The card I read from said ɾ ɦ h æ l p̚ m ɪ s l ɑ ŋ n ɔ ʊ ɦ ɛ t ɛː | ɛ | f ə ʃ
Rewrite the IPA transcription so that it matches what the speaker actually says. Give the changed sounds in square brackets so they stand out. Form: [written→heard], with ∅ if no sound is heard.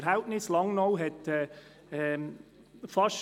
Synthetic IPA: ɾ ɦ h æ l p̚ [m→n] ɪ s l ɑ ŋ n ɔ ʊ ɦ ɛ t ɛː | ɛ | f [ə→ɑ] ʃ